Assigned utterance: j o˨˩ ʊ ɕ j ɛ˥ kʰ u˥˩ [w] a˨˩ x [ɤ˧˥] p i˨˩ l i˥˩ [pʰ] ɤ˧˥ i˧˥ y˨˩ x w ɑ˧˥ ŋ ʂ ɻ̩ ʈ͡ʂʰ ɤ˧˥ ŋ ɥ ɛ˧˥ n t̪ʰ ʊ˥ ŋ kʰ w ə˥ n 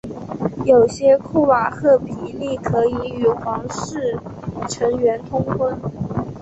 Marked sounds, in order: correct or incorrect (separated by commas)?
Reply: correct, incorrect, incorrect